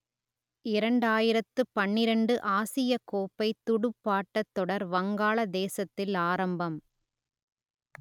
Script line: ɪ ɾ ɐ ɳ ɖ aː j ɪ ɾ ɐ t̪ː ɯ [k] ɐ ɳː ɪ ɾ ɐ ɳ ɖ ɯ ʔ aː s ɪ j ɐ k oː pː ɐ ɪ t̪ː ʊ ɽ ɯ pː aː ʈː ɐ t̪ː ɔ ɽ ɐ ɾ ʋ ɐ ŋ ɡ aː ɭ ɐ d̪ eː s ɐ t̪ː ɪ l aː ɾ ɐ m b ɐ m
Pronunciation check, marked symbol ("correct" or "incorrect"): incorrect